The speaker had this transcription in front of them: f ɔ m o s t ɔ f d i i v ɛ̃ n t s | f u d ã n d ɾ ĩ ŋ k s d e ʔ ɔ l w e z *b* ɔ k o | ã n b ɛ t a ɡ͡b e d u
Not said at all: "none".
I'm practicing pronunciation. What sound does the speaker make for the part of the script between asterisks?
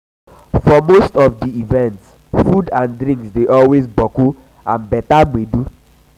b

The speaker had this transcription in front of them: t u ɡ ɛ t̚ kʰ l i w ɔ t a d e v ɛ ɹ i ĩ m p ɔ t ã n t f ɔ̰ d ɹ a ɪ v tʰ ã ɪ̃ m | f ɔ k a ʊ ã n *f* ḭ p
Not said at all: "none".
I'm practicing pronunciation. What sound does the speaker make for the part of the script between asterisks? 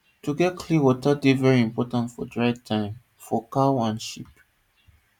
ʃ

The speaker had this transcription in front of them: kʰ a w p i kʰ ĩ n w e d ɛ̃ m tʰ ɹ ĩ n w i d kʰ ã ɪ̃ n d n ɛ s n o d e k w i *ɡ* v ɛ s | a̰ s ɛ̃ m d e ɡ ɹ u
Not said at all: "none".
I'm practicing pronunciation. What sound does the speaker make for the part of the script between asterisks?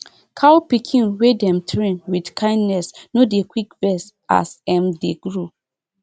k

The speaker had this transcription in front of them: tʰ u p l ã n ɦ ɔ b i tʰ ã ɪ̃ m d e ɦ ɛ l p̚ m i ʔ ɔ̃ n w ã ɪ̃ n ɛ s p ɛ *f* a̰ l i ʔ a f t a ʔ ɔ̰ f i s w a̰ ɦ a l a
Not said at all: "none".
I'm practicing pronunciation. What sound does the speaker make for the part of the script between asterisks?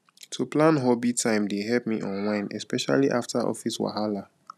ʃ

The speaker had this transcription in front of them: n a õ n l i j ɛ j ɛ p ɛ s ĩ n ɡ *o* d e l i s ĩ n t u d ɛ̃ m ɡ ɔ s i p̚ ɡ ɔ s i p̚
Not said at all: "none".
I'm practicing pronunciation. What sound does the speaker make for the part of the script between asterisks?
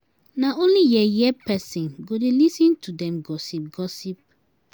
o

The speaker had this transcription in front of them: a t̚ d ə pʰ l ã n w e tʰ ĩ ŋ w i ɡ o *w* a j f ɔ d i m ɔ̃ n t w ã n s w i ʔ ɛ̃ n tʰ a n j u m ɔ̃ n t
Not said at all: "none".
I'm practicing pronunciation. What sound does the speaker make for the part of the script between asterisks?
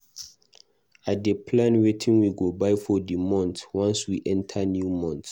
b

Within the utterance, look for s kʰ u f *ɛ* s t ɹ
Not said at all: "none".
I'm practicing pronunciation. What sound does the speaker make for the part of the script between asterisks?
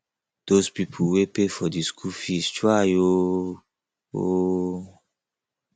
i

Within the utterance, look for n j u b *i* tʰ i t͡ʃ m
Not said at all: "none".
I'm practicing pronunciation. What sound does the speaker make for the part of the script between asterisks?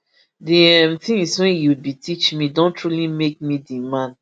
i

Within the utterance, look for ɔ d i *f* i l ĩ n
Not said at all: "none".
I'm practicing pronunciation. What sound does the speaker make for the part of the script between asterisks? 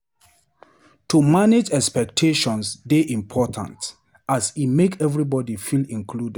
f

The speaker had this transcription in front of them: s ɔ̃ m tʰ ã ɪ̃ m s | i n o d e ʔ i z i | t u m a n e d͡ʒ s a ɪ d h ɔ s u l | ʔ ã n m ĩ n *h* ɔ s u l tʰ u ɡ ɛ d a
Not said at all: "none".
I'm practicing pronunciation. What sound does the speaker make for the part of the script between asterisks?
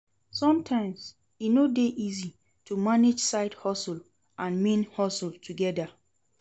h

